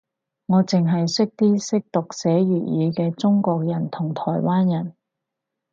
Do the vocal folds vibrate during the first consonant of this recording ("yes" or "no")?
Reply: yes